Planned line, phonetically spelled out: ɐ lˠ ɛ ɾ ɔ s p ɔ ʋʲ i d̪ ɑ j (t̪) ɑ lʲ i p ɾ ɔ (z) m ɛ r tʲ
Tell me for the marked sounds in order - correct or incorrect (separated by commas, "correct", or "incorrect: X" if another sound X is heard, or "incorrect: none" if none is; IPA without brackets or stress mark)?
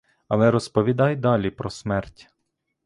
incorrect: d̪, incorrect: s